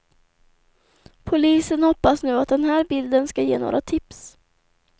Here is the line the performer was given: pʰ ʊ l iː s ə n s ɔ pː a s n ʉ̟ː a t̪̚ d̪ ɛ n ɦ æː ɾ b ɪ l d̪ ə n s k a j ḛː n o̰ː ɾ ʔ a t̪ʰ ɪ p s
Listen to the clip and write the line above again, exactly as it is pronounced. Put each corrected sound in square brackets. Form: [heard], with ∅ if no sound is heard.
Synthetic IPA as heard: pʰ ʊ l iː s ə n [h] ɔ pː a s n ʉ̟ː a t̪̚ d̪ ɛ n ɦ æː ɾ b ɪ l d̪ ə n s k a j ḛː n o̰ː ɾ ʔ a t̪ʰ ɪ p s